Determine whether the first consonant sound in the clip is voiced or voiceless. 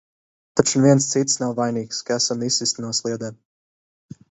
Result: voiceless